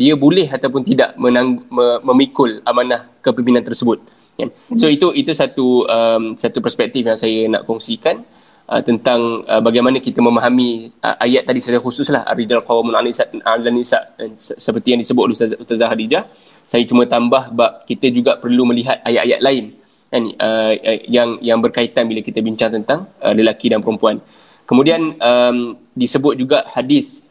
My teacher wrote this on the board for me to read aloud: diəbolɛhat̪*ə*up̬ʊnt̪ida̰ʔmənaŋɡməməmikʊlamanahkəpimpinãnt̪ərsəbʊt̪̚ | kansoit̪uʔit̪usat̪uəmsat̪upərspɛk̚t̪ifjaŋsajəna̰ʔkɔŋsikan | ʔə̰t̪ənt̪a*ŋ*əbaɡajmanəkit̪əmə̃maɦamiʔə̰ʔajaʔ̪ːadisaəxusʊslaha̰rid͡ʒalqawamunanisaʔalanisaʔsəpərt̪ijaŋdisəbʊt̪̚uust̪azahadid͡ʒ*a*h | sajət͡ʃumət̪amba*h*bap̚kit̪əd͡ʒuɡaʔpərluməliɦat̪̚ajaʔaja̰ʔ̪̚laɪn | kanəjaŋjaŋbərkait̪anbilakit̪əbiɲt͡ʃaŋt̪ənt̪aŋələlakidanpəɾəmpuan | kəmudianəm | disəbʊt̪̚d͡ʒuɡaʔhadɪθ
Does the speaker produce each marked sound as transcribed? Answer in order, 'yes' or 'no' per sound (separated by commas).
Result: no, yes, yes, yes